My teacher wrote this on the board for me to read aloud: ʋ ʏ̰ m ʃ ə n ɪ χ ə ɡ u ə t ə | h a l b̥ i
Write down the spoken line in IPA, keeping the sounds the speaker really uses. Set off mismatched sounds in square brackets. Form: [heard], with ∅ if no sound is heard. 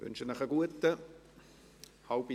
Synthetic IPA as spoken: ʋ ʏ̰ [n] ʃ ə n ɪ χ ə ɡ u ə t ə | h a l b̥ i